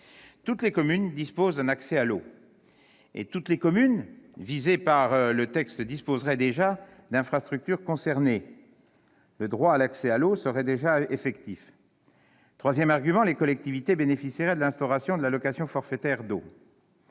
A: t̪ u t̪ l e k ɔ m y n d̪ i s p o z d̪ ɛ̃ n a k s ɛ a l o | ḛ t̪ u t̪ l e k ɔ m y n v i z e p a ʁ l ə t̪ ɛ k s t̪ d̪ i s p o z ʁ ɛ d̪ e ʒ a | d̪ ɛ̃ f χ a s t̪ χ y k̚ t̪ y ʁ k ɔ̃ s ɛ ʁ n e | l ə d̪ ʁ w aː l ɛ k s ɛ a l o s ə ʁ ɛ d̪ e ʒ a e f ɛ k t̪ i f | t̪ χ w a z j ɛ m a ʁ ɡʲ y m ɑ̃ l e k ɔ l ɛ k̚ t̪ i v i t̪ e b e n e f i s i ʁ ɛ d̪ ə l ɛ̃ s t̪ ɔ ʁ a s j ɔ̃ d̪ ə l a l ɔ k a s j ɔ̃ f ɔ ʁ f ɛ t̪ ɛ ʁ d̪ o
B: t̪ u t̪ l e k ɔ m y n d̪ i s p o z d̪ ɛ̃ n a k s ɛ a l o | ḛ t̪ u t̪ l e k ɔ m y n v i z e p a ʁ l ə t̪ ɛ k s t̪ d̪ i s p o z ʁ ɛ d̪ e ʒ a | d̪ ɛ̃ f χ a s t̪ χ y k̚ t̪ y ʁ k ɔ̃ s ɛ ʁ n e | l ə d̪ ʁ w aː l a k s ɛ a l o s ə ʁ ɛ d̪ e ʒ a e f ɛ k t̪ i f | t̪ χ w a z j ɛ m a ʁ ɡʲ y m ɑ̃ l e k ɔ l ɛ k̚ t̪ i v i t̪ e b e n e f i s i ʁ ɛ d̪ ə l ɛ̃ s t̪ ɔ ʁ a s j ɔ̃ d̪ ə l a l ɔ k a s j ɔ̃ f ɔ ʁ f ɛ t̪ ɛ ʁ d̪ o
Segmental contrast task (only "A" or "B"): B